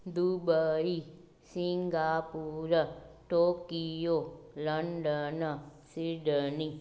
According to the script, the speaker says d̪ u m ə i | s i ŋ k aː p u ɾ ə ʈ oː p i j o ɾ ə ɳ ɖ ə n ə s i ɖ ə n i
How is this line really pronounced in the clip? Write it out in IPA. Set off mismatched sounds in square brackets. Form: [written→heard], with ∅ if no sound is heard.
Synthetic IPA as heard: d̪ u [m→b] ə i | s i ŋ [k→ɡ] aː p u ɾ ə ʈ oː [p→k] i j o [ɾ→l] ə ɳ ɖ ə n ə s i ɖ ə n i